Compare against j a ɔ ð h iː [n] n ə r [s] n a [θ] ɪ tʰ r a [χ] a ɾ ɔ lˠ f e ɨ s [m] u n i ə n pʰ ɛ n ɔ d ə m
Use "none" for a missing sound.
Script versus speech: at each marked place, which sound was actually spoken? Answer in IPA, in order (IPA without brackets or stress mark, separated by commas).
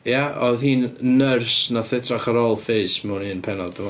n, s, θ, χ, m